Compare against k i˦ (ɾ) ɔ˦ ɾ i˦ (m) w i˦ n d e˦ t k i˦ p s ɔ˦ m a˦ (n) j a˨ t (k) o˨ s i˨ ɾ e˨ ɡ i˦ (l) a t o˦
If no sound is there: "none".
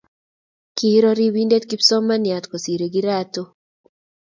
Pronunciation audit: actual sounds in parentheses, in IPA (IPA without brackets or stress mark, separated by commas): ɾ, none, n, k, ɾ